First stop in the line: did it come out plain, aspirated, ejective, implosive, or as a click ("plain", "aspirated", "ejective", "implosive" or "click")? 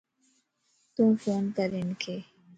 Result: plain